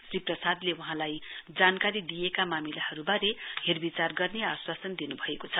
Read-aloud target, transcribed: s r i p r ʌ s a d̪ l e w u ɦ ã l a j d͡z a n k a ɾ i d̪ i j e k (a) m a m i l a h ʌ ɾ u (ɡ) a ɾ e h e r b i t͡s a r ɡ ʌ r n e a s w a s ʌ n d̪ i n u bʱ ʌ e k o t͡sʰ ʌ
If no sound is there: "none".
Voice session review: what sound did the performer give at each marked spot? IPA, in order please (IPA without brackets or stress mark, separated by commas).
a, b